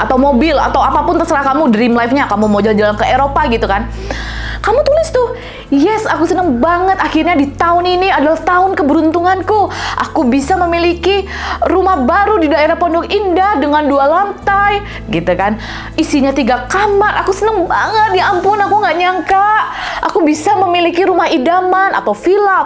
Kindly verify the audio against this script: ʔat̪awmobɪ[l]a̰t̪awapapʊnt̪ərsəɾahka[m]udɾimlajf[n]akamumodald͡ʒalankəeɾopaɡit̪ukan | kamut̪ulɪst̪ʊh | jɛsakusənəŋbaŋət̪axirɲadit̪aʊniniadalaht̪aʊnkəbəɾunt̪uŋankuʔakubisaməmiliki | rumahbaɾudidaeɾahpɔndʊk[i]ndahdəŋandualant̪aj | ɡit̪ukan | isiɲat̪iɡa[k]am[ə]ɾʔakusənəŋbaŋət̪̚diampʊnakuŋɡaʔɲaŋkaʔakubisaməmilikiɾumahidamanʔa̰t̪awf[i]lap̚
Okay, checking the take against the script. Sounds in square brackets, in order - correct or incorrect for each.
correct, correct, incorrect: ɲ, correct, correct, incorrect: a, correct

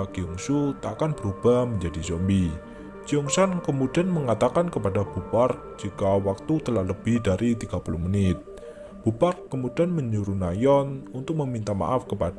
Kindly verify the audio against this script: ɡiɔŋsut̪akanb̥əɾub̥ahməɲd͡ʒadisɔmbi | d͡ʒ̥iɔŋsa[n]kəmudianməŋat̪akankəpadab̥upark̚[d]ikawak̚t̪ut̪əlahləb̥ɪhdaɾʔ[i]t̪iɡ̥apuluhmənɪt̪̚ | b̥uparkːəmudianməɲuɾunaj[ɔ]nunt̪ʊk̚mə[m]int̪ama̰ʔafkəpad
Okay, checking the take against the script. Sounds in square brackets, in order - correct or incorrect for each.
correct, incorrect: d͡ʒ, correct, correct, correct

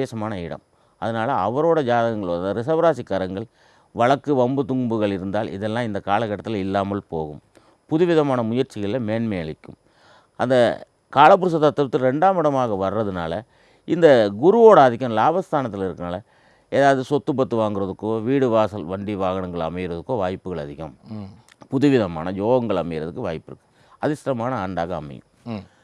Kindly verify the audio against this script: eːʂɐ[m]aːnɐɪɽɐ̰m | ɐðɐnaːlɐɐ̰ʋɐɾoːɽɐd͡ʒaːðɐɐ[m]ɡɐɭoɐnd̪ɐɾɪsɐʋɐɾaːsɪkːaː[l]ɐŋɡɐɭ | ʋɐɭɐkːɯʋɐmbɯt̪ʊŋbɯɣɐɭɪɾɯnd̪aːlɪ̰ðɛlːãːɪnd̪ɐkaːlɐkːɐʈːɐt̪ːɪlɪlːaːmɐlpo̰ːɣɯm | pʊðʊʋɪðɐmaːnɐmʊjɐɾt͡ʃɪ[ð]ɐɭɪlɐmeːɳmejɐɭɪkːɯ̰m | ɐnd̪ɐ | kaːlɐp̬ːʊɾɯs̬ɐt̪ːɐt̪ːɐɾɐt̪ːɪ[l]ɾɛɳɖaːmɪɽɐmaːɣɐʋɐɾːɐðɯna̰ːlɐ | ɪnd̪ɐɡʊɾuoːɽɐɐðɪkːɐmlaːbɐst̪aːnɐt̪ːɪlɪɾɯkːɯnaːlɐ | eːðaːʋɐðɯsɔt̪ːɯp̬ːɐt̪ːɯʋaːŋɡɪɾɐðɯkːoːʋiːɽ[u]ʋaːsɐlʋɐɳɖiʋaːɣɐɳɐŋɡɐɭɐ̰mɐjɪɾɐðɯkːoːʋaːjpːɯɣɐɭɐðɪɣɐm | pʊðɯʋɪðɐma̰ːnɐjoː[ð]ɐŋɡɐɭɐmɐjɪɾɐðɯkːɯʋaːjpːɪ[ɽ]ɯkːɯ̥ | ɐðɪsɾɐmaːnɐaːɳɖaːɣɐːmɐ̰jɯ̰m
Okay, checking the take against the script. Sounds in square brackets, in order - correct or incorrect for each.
correct, incorrect: ŋ, incorrect: ɾ, incorrect: ɣ, correct, incorrect: ɯ, incorrect: ɣ, incorrect: ɾ

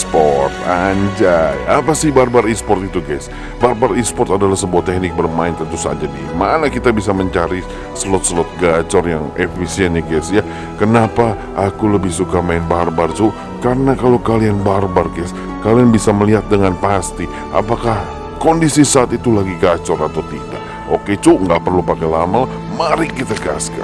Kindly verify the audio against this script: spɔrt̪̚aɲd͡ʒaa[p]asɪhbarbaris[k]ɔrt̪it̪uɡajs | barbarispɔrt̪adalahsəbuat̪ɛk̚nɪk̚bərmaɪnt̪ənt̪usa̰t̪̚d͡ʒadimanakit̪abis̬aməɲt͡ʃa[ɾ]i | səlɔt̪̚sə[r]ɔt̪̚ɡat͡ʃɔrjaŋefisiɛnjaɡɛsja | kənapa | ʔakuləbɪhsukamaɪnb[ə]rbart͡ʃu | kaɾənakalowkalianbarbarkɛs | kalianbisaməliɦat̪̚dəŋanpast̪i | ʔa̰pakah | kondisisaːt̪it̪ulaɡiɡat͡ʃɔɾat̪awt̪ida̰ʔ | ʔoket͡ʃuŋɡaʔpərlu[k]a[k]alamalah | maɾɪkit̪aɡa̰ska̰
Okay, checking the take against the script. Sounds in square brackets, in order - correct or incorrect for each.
correct, incorrect: p, correct, incorrect: l, incorrect: a, incorrect: p, correct

